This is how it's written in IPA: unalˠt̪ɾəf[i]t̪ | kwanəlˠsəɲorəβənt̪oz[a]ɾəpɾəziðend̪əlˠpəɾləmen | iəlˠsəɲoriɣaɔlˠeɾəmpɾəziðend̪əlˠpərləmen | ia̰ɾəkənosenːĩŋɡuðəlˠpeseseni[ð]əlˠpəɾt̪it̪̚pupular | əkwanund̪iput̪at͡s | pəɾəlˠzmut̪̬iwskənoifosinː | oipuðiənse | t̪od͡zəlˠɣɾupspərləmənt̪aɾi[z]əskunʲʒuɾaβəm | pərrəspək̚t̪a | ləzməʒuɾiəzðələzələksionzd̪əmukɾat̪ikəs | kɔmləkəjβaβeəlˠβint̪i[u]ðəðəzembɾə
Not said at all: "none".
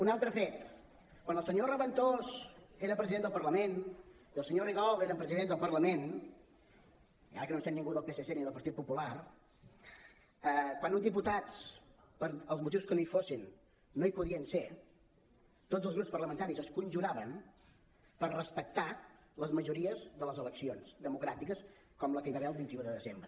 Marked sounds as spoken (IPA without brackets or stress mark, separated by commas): e, e, ð, z, u